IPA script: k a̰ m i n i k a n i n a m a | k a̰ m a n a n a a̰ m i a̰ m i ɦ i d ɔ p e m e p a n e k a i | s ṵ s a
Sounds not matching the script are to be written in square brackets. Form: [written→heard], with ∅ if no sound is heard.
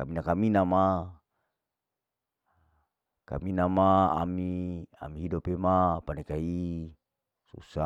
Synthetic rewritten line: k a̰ m i n [i→a] k a [n→m] i n a m a | k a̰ m [a→i] n a [n→m] a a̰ m i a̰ m i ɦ i d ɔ p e m [e→a] p a n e k a i | s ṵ s a